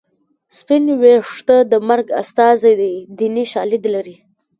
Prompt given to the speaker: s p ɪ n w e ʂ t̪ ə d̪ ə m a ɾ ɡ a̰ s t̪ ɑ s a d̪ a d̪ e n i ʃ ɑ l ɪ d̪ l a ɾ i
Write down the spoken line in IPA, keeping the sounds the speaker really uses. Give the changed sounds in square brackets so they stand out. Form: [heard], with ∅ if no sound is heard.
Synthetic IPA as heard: s p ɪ n w e ʂ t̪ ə d̪ ə m a ɾ ɡ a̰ s t̪ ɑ [z] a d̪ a d̪ [i] n i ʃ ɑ l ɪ d̪ l a ɾ i